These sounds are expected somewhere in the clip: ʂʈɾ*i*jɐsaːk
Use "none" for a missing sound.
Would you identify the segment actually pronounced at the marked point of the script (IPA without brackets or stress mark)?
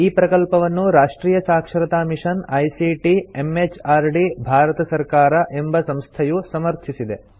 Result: iː